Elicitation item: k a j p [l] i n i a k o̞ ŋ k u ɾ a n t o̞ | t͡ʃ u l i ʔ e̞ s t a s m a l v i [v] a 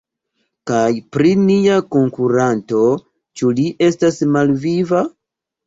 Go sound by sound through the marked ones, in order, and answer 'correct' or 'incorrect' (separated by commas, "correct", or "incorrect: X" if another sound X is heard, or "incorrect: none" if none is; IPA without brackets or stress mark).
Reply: incorrect: ɾ, correct